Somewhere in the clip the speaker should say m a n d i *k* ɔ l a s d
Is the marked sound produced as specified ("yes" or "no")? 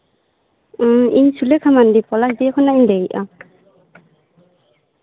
no